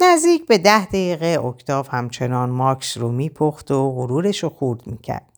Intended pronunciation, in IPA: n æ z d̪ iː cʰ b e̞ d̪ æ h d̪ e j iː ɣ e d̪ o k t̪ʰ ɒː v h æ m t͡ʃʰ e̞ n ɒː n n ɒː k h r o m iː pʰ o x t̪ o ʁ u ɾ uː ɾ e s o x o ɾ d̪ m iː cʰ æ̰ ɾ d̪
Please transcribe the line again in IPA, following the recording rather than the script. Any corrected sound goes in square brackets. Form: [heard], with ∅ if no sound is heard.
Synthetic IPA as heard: n æ z d̪ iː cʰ b e̞ d̪ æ h d̪ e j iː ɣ e [∅] o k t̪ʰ ɒː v h æ m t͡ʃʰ e̞ n ɒː n [m] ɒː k [s] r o m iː pʰ o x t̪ o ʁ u ɾ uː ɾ e [ʃ] o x [u] ɾ d̪ m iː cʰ æ̰ ɾ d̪